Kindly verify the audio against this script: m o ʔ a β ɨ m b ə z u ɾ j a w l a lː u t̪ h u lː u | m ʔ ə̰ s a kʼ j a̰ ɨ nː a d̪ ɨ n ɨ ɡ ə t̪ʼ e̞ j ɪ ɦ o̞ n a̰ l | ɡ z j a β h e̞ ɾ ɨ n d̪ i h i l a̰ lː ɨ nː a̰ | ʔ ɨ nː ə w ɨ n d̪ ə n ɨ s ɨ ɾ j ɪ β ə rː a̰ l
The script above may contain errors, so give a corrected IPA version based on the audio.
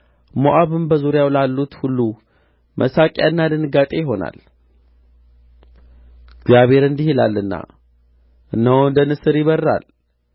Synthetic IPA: m o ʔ a β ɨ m b ə z u ɾ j a w l a lː u t̪ h u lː u | m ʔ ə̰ s a kʼ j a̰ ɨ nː a d̪ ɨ n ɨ ɡ a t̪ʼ e̞ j ɪ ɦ o̞ n a̰ l | ɡ z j a β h e̞ ɾ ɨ n d̪ i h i l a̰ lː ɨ nː a̰ | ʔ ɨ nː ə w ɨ n d̪ ə n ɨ s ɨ ɾ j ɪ β ə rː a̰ l

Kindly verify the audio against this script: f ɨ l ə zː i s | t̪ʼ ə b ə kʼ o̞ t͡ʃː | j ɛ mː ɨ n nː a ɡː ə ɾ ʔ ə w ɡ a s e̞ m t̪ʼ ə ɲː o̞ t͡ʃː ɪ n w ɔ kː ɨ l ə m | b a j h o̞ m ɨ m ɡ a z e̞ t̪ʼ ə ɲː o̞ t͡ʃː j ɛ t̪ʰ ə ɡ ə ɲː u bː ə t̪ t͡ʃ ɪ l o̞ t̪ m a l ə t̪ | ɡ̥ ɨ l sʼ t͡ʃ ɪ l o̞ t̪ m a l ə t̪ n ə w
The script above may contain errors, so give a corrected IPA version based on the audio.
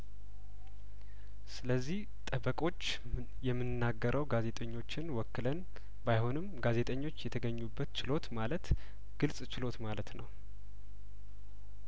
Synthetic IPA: s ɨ l ə zː i h | t̪ʼ ə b ə kʼ o̞ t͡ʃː | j ɛ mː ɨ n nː a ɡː ə ɾ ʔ ə w ɡ a z e̞ t̪ʼ ə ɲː o̞ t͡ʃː ɪ n w ɔ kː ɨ l ə n | b a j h o̞ n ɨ m ɡ a z e̞ t̪ʼ ə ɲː o̞ t͡ʃː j ɛ t̪ʰ ə ɡ ə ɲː u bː ə t̪ t͡ʃ ɪ l o̞ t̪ m a l ə t̪ | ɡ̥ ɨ l sʼ t͡ʃ ɪ l o̞ t̪ m a l ə t̪ n ə w

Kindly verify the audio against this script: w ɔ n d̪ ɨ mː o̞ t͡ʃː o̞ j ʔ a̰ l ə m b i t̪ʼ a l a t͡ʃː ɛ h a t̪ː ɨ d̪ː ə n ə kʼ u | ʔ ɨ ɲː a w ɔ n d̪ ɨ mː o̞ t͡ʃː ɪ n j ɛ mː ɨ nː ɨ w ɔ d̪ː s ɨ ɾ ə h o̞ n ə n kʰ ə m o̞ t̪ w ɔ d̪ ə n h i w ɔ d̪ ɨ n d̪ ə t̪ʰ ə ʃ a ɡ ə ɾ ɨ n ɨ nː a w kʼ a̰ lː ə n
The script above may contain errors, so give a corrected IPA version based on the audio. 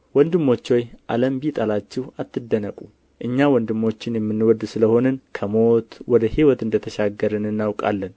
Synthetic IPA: w ɔ n d̪ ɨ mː o̞ t͡ʃː o̞ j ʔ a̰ l ə m b i t̪ʼ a l a t͡ʃː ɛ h a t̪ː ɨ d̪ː ə n ə kʼ u | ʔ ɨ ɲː a w ɔ n d̪ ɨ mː o̞ t͡ʃː ɪ n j ɛ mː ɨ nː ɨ w ɔ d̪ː s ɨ l ə h o̞ n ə n kʰ ə m o̞ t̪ w ɔ d̪ ə h i w ɔ t̪ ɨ n d̪ ə t̪ʰ ə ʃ a ɡ ə ɾ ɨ n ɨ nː a w kʼ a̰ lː ə n

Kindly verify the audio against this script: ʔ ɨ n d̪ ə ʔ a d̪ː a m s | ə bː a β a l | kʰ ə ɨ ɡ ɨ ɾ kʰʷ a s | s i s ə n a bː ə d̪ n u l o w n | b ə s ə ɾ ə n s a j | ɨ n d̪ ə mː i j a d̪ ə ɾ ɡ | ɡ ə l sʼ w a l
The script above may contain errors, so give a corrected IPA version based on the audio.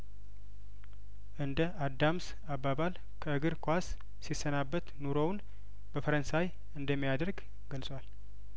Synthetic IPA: ʔ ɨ n d̪ ə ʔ a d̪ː a m s | a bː a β a l | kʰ ə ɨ ɡ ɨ ɾ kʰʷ a s | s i s ə n a bː ə t̪ n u ɾ o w n | b ə f ə ɾ ə n s a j | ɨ n d̪ ə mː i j a d̪ ə ɾ ɡ | ɡ ə l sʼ w a l

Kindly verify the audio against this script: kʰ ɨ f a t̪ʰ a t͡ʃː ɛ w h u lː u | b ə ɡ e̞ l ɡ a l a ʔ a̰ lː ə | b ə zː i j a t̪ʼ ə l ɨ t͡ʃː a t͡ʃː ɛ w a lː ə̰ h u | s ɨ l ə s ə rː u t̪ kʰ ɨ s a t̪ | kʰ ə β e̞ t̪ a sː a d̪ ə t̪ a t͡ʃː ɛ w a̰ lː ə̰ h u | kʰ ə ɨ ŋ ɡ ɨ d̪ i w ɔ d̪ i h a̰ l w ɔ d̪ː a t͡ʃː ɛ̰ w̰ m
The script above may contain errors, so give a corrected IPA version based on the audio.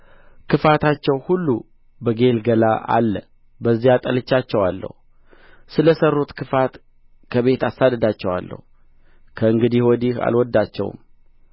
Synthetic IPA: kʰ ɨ f a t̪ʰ a t͡ʃː ɛ w h u lː u | b ə ɡ e̞ l ɡ ə l a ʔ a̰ lː ə | b ə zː i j a t̪ʼ ə l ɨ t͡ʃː a t͡ʃː ɛ w a lː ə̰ h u | s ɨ l ə s ə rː u t̪ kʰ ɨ f a t̪ | kʰ ə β e̞ t̪ a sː a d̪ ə d̪ a t͡ʃː ɛ w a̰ lː ə̰ h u | kʰ ə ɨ ŋ ɡ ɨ d̪ i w ɔ d̪ i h a̰ l w ɔ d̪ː a t͡ʃː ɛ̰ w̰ m

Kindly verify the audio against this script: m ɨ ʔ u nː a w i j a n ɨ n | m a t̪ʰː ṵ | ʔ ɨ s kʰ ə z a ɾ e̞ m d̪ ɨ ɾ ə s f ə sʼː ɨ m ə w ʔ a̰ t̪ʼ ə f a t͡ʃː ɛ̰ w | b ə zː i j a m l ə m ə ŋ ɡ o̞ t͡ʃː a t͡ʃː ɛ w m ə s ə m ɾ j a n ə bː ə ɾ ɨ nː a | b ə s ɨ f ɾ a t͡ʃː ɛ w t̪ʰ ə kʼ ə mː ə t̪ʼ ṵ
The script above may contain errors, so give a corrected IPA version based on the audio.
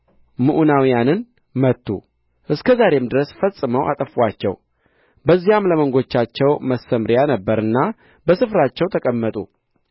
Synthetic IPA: m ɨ ʔ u n a w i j a n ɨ n | m ə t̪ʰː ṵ | ʔ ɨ s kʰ ə z a ɾ e̞ m d̪ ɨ ɾ ə s f ə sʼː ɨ m ə w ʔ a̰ t̪ʼ ə f a t͡ʃː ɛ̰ w | b ə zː i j a m l ə m ə ŋ ɡ o̞ t͡ʃː a t͡ʃː ɛ w m ə s ə m ɾ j a n ə bː ə ɾ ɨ nː a | b ə s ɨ f ɾ a t͡ʃː ɛ w t̪ʰ ə kʼ ə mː ə t̪ʼ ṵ

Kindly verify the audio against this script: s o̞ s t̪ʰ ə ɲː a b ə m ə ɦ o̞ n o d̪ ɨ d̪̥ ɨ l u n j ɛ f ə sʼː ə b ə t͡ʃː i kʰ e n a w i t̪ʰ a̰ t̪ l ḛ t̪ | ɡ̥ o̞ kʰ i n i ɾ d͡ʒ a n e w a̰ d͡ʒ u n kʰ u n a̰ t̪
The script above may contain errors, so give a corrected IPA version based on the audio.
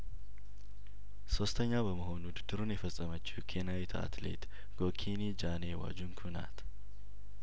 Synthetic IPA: s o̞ s t̪ʰ ə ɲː a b ə m ə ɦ o̞ n u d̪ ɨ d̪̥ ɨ ɾ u n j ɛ f ə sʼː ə m ə t͡ʃː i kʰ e n a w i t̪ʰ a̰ t̪ l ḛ t̪ | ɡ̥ o̞ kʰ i n i d͡ʒ a n e w a̰ d͡ʒ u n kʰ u n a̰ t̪

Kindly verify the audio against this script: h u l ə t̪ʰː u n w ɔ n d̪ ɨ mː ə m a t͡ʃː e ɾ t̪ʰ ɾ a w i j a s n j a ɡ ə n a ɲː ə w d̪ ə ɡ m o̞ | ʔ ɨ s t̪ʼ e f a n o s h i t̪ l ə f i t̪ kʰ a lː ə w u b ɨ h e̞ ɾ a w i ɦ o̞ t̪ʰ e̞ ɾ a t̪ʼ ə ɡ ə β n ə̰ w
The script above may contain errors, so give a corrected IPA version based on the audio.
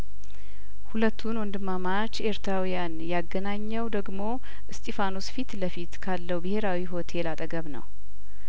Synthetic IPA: h u l ə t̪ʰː u n w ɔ n d̪ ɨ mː a m a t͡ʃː e ɾ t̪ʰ ɾ a w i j a n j a ɡ ə n a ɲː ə w d̪ ə ɡ m o̞ | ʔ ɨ s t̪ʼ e f a n o s f i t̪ l ə f i t̪ kʰ a lː ə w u b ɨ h e̞ ɾ a w i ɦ o̞ t̪ʰ e̞ l a t̪ʼ ə ɡ ə β n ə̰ w

